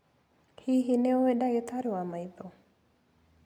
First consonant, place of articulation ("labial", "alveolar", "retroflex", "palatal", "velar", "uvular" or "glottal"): glottal